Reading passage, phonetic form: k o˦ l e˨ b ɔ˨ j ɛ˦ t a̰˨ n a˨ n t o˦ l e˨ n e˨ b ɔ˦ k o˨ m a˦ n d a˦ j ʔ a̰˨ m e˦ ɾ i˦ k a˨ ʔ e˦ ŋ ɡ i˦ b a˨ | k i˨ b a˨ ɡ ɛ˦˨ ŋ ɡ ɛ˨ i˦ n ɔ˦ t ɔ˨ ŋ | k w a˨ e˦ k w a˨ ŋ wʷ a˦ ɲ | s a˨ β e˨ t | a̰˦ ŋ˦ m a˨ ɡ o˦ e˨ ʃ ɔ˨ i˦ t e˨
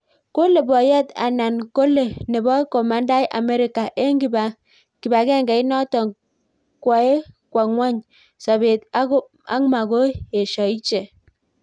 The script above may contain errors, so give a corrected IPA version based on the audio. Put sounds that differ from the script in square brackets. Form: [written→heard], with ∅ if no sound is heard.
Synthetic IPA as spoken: k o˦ l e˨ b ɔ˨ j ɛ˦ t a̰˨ n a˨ n [t→k] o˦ l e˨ n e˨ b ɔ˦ k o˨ m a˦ n d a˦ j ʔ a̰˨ m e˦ ɾ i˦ k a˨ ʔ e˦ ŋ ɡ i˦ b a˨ | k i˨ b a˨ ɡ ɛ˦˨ ŋ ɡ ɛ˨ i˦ n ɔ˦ t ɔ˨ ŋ | k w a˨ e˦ k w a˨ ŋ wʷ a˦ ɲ | s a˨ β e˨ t | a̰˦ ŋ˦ m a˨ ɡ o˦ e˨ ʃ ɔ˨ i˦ [t→t͡ʃ] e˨